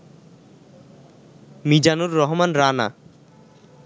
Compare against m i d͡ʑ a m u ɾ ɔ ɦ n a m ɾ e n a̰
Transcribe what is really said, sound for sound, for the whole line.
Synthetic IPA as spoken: m i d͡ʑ a n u ɾː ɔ ɦ m a n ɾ a n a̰